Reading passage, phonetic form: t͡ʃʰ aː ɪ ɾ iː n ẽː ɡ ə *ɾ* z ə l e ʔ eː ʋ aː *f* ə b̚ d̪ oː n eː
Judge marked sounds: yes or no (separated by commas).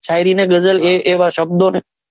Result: no, no